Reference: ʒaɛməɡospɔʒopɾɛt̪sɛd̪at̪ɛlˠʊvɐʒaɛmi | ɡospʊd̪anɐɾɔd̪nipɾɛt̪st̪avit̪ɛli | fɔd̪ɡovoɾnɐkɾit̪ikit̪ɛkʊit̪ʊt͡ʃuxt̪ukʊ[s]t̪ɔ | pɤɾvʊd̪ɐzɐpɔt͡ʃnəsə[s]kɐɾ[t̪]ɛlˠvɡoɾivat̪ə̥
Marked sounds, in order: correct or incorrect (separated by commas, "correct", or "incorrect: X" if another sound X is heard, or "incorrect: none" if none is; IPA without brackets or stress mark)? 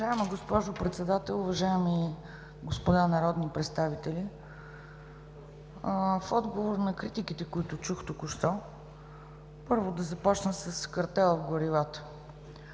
incorrect: ʃ, correct, correct